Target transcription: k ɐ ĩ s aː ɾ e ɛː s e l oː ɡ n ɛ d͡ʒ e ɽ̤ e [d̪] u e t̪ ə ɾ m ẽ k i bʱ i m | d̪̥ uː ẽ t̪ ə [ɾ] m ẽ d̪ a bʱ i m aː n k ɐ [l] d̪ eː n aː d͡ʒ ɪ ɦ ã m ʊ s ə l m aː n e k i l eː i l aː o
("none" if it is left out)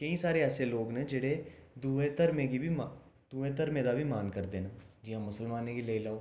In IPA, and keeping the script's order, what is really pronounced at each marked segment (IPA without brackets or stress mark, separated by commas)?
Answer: d̪, ɾ, ɾ